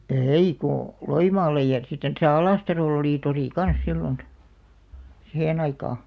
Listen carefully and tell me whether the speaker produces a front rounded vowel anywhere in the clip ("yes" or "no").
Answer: no